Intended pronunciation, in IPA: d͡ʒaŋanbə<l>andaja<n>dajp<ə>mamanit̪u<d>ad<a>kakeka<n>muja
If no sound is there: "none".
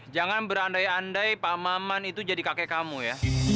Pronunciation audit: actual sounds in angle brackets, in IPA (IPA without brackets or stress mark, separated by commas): ɾ, n, a, d͡ʒ, i, none